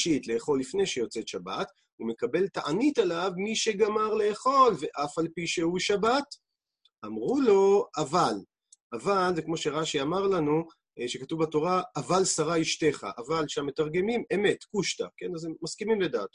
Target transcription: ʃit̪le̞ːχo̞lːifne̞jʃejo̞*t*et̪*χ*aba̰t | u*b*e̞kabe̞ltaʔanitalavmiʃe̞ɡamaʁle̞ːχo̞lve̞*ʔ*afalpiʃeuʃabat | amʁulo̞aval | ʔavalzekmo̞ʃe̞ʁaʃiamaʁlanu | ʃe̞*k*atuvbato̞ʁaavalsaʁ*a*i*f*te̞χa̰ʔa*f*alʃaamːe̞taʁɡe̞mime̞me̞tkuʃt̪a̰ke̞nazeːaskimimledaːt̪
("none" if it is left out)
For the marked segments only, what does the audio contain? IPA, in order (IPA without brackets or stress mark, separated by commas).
t͡s, ʃ, m, ʔ, k, a, ʃ, v